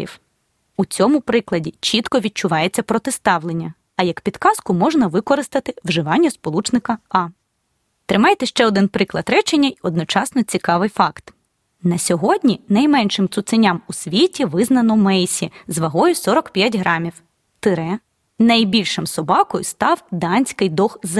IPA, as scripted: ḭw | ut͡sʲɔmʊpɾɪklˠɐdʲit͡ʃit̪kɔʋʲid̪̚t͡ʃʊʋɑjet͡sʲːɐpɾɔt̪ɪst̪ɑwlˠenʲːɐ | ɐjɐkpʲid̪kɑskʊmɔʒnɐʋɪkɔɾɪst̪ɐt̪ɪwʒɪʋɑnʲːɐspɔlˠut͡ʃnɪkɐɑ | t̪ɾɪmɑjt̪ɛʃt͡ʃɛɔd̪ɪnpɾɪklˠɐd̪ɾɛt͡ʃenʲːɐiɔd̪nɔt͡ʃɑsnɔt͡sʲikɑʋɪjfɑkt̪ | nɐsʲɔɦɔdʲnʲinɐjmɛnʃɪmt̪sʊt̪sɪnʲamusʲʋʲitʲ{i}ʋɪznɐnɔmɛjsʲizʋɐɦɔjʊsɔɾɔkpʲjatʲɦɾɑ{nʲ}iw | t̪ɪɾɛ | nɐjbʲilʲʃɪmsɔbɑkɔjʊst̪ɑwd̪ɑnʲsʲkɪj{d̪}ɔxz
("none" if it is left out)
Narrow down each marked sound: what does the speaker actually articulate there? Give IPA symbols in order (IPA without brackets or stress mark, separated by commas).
i, mʲ, d̪